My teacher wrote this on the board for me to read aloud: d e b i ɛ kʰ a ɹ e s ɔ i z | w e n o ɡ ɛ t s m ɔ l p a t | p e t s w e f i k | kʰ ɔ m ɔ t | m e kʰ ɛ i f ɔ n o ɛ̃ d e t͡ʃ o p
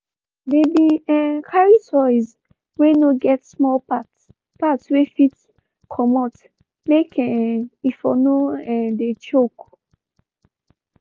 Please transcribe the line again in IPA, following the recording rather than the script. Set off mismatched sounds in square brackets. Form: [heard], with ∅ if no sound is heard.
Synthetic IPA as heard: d e b i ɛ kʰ a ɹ [i] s ɔ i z | w e n o ɡ ɛ t s m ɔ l p a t | p [a] t s w e f i [t] | kʰ ɔ m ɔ t | m e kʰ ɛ i f ɔ n o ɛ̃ d e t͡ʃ o [k]